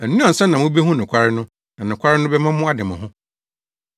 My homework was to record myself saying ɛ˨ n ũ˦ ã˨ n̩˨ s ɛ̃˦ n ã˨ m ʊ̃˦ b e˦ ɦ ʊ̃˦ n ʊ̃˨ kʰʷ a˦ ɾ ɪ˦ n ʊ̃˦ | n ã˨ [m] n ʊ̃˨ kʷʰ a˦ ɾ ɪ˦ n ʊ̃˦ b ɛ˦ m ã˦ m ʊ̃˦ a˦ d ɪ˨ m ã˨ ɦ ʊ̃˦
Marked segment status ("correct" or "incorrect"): incorrect